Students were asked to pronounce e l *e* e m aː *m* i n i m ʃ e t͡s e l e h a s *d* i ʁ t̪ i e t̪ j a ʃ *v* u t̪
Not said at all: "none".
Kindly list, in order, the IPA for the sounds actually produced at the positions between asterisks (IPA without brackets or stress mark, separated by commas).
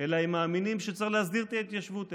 a, m, d, v